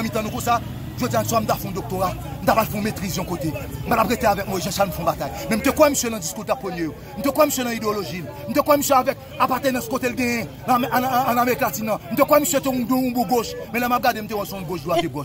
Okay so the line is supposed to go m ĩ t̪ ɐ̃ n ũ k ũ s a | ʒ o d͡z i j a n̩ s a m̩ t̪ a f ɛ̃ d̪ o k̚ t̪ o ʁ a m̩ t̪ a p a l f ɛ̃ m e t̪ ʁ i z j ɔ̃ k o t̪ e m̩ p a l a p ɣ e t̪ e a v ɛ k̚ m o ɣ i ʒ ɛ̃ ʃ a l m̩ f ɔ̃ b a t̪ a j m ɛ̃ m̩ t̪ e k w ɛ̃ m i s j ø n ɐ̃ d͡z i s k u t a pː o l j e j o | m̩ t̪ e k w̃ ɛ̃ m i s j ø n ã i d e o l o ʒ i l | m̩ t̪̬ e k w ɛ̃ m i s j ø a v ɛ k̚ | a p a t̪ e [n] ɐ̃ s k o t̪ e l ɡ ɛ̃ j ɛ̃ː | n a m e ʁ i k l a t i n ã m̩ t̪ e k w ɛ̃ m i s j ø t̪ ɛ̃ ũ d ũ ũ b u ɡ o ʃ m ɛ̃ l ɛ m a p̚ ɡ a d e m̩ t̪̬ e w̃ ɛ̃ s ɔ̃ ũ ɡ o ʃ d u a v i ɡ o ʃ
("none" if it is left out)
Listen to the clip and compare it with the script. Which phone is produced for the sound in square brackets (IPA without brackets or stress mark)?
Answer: n